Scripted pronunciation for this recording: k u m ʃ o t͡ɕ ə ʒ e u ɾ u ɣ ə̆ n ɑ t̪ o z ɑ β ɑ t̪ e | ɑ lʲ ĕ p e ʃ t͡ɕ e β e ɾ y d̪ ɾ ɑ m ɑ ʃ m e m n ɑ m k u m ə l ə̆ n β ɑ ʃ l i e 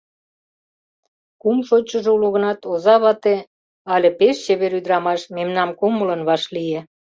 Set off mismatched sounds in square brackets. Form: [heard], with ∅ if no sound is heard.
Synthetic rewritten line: k u m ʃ o t͡ɕ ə ʒ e u [l] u ɣ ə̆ n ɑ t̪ o z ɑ β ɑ t̪ e | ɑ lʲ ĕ p e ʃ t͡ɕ e β e ɾ y d̪ ɾ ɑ m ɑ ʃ m e m n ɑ m k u m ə l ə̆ n β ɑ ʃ l i e